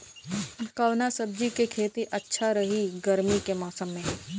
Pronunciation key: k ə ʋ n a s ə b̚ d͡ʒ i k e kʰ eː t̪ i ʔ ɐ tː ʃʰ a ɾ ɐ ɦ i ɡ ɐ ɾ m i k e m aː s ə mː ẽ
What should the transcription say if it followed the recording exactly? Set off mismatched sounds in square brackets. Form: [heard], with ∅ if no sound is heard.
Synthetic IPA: k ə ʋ n a s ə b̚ d͡ʒ i k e kʰ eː t̪ i ʔ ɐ tː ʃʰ a ɾ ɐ ɦ i ɡ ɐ ɾ m i k e m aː s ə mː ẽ